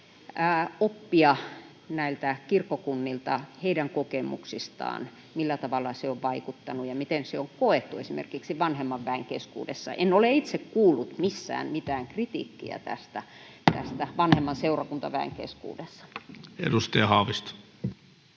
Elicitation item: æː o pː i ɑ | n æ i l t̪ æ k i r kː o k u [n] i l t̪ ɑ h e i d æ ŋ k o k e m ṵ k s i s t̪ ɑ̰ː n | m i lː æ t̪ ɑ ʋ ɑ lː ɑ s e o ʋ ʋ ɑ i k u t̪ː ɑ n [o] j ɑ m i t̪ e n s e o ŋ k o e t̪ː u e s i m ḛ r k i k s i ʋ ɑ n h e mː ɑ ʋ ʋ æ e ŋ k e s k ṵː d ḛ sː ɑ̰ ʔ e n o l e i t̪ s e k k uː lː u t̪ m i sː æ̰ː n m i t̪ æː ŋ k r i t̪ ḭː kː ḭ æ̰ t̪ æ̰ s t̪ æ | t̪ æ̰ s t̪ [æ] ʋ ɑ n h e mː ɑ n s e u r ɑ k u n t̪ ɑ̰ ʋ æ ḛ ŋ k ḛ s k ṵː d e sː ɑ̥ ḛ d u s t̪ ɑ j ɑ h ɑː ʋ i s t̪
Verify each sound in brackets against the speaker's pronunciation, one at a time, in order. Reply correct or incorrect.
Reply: incorrect: nː, incorrect: u, correct

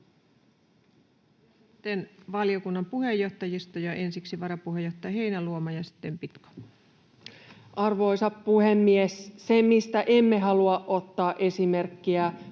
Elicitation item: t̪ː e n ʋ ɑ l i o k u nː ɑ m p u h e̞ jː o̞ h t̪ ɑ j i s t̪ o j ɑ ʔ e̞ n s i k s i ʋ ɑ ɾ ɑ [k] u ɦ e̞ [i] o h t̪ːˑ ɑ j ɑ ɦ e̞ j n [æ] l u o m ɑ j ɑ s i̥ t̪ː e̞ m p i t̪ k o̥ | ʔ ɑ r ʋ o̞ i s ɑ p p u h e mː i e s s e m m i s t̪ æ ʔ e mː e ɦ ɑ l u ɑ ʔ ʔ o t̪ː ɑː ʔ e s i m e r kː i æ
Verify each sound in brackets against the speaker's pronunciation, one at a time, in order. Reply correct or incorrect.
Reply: incorrect: p, incorrect: j, correct

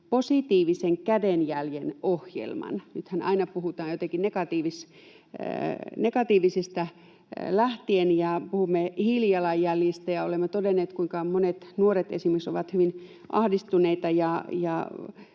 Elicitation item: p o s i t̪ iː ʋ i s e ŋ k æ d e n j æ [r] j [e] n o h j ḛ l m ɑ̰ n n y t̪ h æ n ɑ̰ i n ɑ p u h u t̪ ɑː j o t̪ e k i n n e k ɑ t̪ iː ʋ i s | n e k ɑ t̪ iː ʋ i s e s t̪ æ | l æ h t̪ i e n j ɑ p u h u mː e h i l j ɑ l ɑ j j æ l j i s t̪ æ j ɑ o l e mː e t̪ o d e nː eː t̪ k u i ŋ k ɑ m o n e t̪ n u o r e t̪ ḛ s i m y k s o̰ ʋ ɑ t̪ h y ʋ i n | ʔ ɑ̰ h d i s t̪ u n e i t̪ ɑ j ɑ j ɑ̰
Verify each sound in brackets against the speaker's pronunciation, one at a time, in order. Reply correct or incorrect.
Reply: incorrect: l, correct

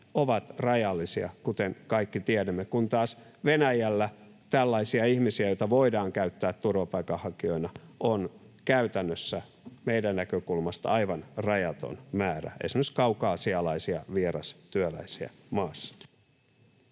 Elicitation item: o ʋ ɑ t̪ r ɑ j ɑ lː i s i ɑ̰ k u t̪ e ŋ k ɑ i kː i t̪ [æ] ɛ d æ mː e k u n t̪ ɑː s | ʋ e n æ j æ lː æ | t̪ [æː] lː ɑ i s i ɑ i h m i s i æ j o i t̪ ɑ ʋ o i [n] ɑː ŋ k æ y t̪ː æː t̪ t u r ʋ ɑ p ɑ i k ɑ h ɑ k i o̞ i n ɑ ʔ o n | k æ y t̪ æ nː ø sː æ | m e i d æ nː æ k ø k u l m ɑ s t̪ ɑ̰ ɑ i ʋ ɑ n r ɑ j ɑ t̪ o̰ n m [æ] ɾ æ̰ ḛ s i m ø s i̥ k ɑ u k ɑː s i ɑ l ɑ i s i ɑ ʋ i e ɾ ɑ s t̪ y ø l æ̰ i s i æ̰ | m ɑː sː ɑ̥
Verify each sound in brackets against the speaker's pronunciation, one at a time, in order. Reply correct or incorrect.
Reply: incorrect: i, incorrect: æ, incorrect: d, incorrect: æː

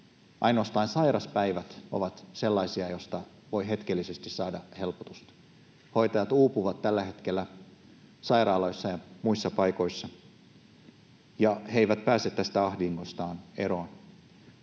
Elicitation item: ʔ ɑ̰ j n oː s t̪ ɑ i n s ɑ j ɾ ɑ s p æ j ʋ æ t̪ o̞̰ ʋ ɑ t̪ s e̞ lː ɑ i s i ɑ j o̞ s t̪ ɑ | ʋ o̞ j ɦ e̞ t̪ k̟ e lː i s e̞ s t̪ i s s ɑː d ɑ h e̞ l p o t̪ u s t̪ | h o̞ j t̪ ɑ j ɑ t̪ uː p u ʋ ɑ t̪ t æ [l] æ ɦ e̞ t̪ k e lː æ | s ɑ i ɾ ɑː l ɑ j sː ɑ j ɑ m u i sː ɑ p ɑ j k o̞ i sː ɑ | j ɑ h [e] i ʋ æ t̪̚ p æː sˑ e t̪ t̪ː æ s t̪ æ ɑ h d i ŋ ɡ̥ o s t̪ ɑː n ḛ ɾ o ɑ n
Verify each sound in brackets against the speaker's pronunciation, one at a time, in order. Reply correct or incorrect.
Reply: incorrect: lː, correct

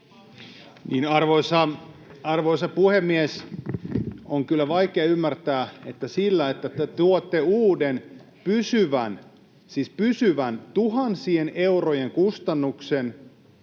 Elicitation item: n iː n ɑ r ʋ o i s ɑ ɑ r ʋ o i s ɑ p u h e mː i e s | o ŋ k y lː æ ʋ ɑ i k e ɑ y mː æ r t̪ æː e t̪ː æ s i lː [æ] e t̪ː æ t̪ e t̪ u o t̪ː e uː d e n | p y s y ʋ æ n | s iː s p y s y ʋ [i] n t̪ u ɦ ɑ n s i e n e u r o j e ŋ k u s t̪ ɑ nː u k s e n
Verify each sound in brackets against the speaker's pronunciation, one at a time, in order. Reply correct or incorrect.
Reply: correct, incorrect: æ

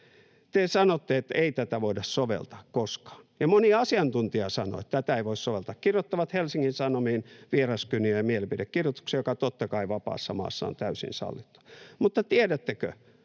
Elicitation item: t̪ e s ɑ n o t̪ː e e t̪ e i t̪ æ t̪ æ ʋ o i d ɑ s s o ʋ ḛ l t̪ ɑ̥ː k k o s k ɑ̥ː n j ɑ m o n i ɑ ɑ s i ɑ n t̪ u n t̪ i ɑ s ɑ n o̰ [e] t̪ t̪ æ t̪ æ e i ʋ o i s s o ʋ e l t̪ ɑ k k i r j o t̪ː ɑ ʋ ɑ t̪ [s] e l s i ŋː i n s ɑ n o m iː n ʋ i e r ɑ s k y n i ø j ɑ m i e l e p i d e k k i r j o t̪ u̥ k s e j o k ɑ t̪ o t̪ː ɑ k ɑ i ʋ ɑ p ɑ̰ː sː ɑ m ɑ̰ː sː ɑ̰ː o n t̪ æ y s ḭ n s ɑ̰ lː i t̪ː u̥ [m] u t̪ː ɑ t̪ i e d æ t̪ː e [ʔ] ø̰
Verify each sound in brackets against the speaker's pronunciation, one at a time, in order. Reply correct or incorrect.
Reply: correct, incorrect: h, correct, incorrect: k

